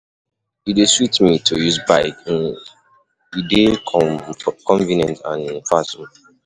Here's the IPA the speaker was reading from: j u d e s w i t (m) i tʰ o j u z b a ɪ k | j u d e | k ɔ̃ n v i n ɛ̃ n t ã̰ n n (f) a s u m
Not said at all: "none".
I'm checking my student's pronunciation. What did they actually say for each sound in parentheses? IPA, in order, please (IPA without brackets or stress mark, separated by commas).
m, f